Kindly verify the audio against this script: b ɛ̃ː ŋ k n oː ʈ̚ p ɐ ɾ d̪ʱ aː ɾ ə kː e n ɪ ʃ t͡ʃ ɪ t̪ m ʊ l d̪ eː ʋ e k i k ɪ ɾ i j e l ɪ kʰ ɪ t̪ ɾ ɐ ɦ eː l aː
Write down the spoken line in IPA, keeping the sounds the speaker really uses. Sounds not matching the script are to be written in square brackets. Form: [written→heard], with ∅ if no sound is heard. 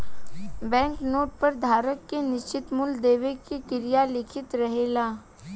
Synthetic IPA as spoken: b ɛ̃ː ŋ k n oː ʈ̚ p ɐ ɾ d̪ʱ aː ɾ ə kː e n ɪ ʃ t͡ʃ ɪ t̪ m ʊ l d̪ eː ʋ e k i k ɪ ɾ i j [e→a] l ɪ kʰ ɪ t̪ ɾ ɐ ɦ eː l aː

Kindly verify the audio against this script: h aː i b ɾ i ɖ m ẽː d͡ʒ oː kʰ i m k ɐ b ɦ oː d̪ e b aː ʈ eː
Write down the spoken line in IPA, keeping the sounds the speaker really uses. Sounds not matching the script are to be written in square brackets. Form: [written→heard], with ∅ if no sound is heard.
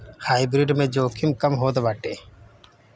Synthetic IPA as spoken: h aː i b ɾ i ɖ m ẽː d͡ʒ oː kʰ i m k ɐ [b→m] ɦ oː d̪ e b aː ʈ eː

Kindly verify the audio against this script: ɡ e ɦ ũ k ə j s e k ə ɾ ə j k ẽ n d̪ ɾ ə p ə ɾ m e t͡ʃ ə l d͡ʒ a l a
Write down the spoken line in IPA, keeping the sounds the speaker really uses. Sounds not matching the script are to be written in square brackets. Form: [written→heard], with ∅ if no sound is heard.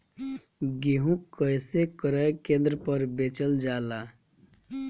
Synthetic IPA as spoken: ɡ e ɦ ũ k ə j s e k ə ɾ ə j k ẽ n d̪ ɾ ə p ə ɾ [m→b] e t͡ʃ ə l d͡ʒ a l a

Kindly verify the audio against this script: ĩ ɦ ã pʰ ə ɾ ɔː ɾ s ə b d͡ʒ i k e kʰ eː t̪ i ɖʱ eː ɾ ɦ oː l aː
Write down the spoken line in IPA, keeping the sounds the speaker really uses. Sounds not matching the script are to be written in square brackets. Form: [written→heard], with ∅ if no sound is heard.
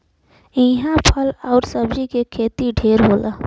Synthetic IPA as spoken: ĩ ɦ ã pʰ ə [ɾ→l] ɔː ɾ s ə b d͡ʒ i k e kʰ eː t̪ i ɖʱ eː ɾ ɦ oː l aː

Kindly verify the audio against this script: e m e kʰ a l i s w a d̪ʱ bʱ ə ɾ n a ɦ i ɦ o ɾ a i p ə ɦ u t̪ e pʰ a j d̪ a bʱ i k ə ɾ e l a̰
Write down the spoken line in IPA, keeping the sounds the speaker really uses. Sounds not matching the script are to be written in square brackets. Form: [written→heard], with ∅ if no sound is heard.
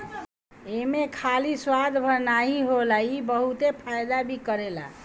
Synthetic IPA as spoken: e m e kʰ a l i s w a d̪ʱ bʱ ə ɾ n a ɦ i ɦ o [ɾ→l] a i [p→b] ə ɦ u t̪ e pʰ a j d̪ a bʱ i k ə ɾ e l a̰

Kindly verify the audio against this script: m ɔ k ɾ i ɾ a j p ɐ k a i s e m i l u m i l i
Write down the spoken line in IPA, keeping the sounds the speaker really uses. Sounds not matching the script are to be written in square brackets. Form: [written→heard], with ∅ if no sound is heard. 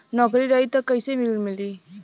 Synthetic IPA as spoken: [m→n] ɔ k ɾ i ɾ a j [p→t] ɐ k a [i→j] s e m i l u m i l i

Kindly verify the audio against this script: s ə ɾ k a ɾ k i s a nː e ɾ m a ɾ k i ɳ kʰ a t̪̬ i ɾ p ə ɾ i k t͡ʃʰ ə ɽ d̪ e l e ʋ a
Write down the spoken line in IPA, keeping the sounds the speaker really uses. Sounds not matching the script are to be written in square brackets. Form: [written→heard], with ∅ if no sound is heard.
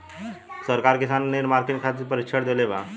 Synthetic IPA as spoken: s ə ɾ k a ɾ k i s a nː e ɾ m a ɾ k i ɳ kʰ a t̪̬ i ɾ p ə ɾ i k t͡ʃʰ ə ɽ d̪ e l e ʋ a

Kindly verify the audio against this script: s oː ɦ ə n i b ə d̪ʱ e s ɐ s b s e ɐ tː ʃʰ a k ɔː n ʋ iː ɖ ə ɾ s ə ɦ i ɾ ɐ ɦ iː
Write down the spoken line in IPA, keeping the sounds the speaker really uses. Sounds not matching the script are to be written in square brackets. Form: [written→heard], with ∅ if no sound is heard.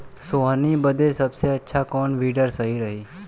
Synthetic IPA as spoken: s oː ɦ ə n i b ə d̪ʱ e s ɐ [s→∅] b s e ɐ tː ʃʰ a k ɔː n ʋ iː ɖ ə ɾ s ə ɦ i ɾ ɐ ɦ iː

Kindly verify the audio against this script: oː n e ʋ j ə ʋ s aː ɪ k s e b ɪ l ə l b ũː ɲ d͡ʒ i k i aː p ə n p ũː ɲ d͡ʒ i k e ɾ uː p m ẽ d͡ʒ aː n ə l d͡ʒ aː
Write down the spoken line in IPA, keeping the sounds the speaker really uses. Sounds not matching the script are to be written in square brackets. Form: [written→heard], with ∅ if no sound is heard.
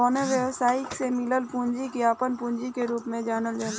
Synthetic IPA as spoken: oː n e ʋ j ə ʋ s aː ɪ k s e [b→m] ɪ l ə l [b→p] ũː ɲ d͡ʒ i k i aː p ə n p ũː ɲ d͡ʒ i k e ɾ uː p m ẽ d͡ʒ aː n ə l d͡ʒ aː

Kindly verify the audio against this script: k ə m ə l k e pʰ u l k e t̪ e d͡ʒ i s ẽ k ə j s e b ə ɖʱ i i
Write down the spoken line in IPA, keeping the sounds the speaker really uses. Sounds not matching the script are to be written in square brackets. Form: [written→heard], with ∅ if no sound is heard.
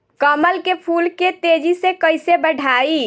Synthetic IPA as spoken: k ə m ə l k e pʰ u l k e t̪ e d͡ʒ i s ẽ k ə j s e b ə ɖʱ [i→a] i

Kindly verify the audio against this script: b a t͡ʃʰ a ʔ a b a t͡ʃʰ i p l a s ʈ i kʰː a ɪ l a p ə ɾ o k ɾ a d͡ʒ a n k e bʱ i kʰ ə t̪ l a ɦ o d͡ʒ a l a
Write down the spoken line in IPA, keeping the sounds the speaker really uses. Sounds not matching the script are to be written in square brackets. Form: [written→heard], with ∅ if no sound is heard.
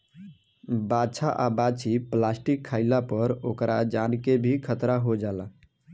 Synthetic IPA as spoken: b a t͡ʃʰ a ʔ a b a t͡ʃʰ i p l a s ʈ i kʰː a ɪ l a p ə ɾ o k ɾ a d͡ʒ a n k e bʱ i kʰ ə t̪ [l→ɾ] a ɦ o d͡ʒ a l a

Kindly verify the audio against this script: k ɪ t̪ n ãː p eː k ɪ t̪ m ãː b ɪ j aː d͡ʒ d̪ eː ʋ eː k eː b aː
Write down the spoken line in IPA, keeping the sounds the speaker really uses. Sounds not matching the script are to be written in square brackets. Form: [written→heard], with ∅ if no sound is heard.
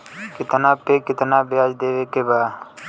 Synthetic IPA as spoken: k ɪ t̪ n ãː p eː k ɪ t̪ [m→n] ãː b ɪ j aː d͡ʒ d̪ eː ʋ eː k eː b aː

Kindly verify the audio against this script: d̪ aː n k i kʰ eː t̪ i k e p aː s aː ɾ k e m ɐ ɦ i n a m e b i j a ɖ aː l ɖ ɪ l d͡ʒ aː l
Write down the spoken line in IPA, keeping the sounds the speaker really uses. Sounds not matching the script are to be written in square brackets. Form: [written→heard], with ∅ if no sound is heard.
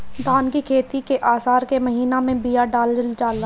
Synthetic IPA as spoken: d̪ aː n k i kʰ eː t̪ i k e [p→ʔ] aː s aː ɾ k e m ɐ ɦ [i→iː] n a m [e→ẽ] b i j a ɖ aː l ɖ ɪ l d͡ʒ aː l

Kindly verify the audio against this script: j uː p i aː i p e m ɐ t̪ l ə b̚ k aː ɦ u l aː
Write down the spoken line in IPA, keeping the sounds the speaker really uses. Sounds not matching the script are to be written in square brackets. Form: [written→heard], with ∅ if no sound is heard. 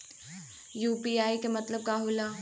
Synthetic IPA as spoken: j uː p i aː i [p→k] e m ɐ t̪ l ə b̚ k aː ɦ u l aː

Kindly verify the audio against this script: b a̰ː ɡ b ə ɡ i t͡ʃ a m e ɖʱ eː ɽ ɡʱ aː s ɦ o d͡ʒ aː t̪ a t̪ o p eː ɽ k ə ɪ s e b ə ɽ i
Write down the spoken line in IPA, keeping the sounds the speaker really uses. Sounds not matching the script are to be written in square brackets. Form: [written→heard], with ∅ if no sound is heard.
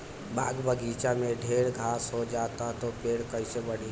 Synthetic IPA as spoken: b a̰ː ɡ b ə ɡ i t͡ʃ a m e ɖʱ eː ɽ ɡʱ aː s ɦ o d͡ʒ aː t̪ a t̪ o p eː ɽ k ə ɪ s e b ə ɽ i

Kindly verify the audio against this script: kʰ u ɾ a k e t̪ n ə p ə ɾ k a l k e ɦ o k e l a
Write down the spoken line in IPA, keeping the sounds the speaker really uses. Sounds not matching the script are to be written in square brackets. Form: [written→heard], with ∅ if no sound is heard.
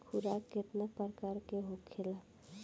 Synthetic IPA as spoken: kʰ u ɾ a k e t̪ n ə p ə ɾ k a [l→ɾ] k e ɦ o [k→kʰ] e l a

